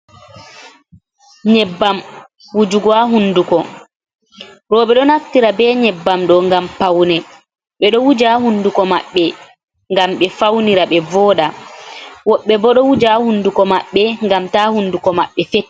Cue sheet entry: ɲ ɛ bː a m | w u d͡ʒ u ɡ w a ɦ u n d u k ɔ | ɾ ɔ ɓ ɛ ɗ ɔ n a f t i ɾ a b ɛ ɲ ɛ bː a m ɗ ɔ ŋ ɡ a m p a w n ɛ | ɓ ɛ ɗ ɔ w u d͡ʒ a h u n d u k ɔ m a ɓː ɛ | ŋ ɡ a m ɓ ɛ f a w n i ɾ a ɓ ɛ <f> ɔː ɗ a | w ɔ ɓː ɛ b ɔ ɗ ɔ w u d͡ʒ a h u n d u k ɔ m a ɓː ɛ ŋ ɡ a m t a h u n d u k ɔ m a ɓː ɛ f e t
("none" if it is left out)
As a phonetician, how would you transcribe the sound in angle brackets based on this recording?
v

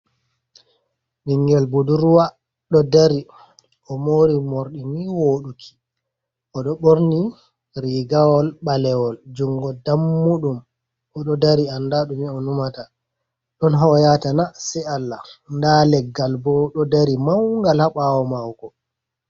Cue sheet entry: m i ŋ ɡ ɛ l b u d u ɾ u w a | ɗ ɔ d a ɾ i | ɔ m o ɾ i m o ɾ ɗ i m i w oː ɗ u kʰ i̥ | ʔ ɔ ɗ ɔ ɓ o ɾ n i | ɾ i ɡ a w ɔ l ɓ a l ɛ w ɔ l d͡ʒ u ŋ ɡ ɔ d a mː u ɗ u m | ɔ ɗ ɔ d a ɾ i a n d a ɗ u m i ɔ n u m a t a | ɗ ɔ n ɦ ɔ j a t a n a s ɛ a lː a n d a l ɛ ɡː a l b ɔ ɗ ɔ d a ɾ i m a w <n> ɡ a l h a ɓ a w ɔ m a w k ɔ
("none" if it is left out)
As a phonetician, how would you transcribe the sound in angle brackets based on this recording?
ŋ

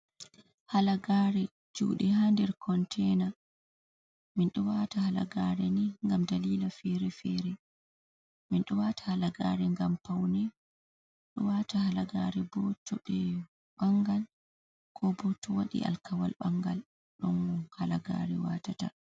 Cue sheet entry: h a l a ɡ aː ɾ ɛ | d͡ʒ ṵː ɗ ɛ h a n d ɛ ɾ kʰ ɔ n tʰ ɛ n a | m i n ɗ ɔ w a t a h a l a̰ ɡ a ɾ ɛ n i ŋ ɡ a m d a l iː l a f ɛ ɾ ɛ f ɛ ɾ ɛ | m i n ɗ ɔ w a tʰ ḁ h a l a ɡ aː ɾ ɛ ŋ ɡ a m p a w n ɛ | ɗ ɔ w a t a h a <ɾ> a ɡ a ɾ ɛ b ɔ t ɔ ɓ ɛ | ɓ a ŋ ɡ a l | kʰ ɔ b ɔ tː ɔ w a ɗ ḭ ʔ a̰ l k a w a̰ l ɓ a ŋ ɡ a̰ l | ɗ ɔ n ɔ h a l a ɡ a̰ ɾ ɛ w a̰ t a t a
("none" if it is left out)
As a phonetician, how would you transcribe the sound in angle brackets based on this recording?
l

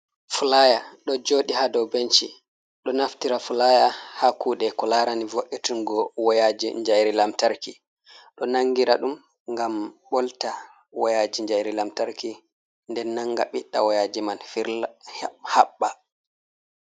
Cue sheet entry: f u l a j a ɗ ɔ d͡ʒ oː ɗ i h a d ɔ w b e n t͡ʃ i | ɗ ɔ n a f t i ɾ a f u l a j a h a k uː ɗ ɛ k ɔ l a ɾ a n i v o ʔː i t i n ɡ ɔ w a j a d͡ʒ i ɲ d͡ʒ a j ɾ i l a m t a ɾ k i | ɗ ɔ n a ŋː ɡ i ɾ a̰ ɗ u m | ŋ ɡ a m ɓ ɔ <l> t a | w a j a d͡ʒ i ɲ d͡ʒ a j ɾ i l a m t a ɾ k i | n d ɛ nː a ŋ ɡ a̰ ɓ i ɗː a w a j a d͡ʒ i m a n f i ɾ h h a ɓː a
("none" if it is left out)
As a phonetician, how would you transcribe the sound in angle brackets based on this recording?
l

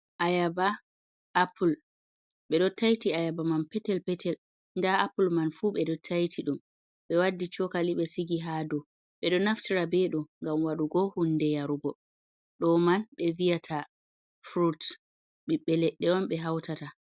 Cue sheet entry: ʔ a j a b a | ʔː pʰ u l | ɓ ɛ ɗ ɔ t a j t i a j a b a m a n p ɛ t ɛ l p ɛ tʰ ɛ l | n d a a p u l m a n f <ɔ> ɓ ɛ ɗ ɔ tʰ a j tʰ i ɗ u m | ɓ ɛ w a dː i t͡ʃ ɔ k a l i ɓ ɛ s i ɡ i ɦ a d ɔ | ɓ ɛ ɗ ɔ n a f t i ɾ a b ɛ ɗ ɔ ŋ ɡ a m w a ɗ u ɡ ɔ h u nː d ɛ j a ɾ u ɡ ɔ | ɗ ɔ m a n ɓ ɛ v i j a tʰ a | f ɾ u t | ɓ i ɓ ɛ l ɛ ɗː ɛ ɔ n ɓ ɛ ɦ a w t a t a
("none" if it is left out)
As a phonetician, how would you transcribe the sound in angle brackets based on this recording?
u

